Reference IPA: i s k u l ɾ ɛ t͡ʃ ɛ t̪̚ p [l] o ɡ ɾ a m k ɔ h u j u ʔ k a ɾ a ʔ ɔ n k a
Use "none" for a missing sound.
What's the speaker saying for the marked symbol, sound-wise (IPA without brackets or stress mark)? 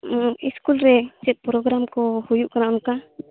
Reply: ɾ